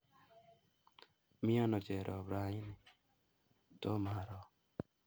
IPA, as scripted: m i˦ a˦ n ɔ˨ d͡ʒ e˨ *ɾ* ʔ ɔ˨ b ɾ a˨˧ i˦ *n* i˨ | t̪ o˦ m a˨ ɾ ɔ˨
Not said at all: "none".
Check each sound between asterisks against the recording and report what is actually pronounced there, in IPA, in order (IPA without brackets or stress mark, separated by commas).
ɾ, n